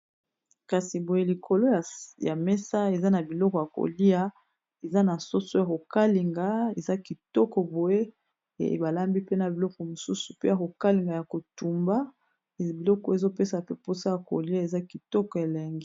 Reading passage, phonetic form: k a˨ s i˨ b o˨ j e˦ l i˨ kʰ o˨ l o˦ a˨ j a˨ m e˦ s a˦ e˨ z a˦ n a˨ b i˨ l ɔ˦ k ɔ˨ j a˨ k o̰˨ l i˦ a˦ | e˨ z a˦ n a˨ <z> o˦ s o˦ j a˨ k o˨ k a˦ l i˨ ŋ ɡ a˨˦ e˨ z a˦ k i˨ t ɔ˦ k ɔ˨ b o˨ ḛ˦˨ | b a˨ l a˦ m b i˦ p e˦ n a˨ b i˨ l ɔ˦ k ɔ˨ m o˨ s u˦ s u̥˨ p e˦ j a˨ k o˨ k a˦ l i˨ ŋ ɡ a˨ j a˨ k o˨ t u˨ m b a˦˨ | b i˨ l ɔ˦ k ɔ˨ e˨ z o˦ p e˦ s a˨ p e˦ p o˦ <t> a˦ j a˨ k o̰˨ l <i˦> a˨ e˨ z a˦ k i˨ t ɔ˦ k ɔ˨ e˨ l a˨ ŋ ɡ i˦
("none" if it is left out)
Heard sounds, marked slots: s, s, i˦

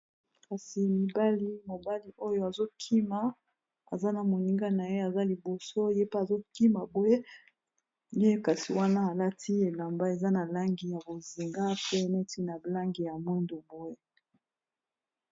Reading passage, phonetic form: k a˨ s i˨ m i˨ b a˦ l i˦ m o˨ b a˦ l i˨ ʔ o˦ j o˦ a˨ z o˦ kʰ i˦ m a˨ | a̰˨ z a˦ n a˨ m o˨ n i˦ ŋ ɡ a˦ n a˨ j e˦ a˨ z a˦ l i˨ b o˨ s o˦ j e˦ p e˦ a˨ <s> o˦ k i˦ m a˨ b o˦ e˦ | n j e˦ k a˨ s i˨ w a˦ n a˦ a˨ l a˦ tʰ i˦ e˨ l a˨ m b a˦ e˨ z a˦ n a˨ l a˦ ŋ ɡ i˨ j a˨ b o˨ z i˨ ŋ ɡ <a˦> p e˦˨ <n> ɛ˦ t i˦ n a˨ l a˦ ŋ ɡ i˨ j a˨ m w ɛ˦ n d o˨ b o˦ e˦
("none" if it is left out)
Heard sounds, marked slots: z, a˦, n

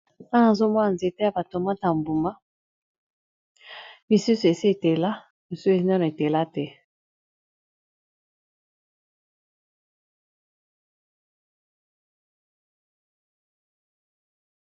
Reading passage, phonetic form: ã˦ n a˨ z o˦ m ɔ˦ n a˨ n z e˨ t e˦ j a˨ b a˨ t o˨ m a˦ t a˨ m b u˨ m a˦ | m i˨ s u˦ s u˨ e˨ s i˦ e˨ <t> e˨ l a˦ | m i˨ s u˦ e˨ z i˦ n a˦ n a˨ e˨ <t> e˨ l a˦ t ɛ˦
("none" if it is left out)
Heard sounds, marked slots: t, t

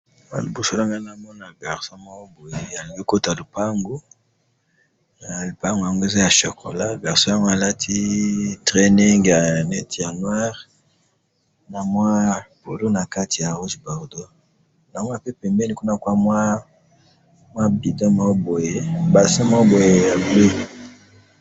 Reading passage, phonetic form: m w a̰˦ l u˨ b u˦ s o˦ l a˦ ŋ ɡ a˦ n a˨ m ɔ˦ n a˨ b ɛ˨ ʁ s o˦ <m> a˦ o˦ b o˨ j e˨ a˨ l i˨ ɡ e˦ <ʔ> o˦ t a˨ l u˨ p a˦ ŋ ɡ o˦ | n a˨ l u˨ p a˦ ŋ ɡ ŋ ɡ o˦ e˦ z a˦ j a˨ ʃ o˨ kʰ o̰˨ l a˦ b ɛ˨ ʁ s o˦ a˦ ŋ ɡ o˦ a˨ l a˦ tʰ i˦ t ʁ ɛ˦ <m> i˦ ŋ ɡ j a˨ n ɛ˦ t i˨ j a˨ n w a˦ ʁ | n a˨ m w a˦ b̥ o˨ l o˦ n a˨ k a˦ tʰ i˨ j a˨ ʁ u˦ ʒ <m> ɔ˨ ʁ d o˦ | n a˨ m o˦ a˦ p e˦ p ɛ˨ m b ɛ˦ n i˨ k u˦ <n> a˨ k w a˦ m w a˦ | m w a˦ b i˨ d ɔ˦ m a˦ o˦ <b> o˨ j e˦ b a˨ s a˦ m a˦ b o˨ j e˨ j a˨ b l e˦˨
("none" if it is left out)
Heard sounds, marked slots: m, k, n, b, n, b

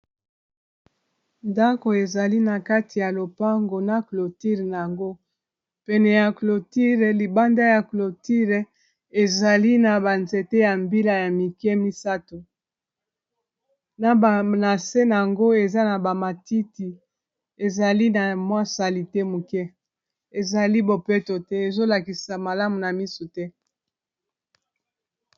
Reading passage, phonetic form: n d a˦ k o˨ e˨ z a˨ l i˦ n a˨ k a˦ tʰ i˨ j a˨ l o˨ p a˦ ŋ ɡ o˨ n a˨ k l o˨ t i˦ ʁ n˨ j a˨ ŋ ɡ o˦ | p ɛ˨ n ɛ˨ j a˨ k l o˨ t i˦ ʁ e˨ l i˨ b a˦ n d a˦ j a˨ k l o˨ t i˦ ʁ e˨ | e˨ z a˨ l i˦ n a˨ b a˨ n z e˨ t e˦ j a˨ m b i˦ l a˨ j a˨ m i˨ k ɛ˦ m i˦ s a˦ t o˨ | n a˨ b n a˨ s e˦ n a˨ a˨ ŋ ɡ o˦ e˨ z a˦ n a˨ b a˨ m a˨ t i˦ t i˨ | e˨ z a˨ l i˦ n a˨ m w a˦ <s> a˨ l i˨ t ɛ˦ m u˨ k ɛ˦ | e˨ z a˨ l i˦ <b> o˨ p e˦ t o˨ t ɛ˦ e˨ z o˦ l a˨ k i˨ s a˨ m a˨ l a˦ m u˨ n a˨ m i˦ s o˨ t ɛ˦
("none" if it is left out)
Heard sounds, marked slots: s, b

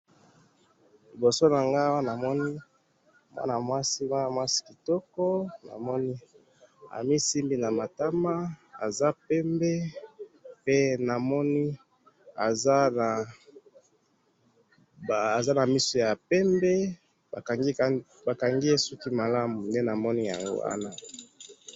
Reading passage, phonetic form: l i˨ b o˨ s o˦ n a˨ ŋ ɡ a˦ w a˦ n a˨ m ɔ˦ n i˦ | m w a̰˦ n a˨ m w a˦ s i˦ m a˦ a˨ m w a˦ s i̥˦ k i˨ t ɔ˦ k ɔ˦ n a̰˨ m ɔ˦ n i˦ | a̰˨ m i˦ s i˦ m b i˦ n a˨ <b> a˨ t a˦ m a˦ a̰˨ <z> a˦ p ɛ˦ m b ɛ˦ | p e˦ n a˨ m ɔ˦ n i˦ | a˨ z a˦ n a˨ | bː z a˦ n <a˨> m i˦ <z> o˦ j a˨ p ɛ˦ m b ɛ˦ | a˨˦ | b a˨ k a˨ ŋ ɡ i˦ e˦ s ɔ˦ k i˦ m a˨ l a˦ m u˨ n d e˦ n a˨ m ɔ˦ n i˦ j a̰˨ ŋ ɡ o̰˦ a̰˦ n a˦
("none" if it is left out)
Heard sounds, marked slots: m, z, a˨, s

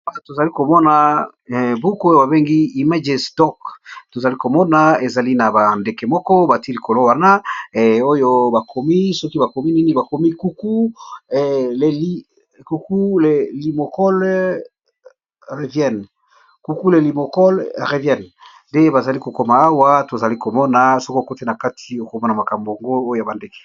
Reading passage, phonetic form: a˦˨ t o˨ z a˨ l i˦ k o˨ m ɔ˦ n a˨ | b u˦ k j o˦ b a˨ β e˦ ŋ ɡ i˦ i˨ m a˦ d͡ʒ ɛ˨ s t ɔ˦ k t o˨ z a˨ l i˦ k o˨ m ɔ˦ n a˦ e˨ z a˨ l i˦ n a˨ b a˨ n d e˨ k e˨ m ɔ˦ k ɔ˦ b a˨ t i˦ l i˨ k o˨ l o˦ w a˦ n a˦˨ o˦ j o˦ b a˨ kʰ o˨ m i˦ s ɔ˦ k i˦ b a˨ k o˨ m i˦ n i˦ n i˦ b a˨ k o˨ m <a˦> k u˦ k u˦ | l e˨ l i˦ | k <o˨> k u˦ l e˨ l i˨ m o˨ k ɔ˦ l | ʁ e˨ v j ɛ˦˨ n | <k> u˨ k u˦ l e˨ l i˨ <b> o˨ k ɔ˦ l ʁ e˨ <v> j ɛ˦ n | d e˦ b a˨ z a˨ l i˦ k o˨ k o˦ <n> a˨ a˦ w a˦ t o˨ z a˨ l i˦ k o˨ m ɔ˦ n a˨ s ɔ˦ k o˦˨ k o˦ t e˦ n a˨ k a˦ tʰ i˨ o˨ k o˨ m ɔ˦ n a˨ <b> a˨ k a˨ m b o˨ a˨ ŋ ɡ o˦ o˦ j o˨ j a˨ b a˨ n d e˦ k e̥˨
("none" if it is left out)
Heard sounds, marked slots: i˦, u˨, k, m, v, m, m

